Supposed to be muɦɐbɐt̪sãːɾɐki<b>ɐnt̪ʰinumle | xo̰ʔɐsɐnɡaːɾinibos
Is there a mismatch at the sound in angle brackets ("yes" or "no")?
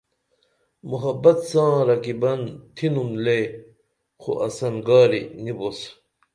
no